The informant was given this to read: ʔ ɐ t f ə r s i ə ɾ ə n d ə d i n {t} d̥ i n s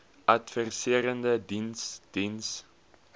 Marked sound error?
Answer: yes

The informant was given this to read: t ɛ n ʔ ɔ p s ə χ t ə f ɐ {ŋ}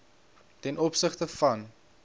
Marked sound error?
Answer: yes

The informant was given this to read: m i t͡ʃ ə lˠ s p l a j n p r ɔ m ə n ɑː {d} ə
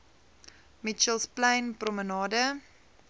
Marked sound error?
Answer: no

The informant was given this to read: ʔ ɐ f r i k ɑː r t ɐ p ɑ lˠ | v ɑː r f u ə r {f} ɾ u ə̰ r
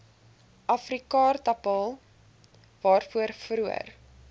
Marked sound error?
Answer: no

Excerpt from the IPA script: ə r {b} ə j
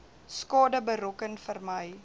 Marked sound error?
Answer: yes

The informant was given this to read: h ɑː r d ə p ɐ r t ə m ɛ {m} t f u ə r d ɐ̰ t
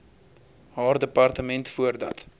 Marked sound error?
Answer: yes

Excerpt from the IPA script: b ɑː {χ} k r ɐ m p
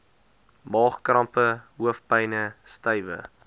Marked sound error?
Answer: no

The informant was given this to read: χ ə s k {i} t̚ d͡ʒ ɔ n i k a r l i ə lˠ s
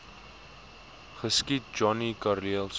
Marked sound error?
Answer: no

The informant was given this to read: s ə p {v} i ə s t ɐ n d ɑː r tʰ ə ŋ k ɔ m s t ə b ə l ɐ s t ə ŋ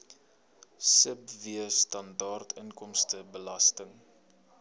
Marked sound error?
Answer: no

